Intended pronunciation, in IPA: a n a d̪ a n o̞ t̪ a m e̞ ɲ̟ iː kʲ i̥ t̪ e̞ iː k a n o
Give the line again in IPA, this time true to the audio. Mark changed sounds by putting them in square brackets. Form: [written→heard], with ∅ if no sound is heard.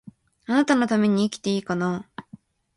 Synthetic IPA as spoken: a n a [d̪→t̪] a n o̞ t̪ a m e̞ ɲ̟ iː kʲ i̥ t̪ e̞ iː k a n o